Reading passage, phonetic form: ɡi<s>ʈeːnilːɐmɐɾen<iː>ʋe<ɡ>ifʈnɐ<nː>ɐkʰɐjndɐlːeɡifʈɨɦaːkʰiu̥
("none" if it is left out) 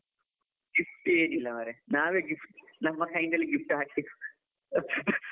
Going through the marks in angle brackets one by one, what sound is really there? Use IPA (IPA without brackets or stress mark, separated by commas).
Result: f, aː, ɡ, mː